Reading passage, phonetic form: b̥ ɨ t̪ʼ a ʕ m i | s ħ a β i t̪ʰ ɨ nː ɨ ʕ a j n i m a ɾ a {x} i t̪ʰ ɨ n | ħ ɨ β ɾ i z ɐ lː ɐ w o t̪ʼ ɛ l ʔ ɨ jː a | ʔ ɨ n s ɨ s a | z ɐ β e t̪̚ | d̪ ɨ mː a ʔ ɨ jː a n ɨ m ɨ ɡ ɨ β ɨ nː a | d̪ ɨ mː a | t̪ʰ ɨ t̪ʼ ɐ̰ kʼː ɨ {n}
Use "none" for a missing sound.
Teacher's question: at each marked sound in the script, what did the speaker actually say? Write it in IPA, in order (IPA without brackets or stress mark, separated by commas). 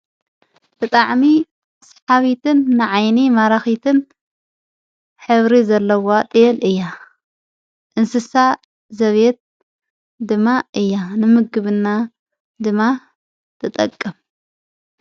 x, m